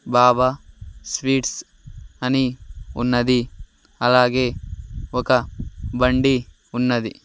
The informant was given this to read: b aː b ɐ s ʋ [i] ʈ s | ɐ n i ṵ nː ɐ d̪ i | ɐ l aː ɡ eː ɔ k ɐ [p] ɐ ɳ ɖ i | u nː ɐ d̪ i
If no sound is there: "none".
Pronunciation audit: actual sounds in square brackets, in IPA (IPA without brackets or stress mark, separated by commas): iː, b